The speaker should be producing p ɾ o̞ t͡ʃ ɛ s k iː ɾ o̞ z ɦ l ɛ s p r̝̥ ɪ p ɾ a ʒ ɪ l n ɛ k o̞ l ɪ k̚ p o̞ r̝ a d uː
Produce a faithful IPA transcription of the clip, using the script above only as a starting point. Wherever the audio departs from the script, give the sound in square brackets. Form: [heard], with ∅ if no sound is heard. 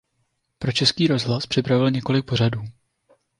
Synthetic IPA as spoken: p ɾ o̞ t͡ʃ ɛ s k iː ɾ o̞ z ɦ l [a] s p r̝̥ ɪ p ɾ a [v] ɪ l [ɲ] ɛ k o̞ l ɪ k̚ p o̞ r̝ a d uː